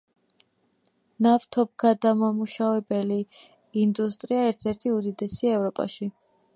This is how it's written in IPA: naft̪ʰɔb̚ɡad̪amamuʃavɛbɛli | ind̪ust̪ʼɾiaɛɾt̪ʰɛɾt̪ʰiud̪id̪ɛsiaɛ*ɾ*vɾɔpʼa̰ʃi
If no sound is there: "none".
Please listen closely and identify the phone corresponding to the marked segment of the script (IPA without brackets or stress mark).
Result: none